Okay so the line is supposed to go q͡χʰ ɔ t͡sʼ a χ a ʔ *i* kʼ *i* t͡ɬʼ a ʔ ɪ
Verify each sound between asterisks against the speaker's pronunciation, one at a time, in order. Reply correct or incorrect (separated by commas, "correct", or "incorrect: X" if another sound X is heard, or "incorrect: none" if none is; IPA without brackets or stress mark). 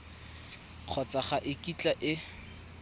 incorrect: ɪ, correct